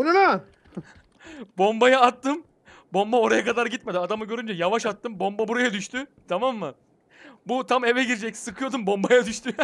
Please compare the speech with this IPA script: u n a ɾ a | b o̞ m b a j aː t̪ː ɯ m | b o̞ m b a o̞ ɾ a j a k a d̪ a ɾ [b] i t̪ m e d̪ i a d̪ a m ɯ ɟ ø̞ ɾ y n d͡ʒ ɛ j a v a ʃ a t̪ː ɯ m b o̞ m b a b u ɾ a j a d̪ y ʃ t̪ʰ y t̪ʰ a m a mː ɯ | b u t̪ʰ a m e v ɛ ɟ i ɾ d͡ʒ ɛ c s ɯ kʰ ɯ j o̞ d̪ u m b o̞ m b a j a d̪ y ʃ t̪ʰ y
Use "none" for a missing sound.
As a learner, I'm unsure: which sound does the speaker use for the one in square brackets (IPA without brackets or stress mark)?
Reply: ɟ